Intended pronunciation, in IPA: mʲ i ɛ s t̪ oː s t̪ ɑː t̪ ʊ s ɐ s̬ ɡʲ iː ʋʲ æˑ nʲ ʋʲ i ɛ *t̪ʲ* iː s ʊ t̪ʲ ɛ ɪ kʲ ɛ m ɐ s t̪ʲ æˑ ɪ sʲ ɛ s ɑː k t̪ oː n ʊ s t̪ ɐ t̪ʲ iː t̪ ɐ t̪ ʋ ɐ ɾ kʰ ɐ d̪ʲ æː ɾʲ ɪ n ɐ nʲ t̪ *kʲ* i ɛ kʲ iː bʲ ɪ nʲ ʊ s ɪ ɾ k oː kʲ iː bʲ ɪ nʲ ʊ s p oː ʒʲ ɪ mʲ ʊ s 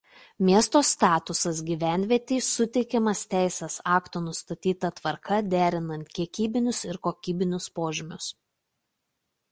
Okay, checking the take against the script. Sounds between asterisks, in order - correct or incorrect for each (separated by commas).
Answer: correct, correct